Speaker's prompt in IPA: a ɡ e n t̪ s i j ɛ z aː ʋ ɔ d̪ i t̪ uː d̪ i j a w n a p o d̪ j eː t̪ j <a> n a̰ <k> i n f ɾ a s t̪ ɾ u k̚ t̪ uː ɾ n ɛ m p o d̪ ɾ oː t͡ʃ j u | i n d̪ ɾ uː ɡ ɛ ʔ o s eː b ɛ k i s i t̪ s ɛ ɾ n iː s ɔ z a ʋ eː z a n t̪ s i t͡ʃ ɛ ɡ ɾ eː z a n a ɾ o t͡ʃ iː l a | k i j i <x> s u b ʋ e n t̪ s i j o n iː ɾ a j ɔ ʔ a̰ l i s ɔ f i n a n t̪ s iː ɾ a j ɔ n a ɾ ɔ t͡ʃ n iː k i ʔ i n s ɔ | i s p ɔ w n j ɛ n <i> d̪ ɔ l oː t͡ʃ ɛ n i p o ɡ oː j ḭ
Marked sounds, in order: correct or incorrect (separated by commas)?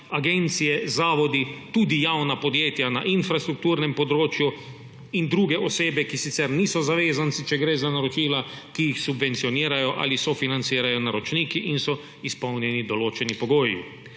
correct, incorrect, correct, correct